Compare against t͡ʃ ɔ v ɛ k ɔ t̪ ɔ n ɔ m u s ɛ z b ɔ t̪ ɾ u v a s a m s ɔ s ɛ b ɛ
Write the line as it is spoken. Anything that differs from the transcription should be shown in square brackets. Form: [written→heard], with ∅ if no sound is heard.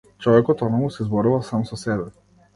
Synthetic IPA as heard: t͡ʃ ɔ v ɛ k ɔ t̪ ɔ n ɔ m u s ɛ z b ɔ [t̪→∅] ɾ u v a s a m s ɔ s ɛ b ɛ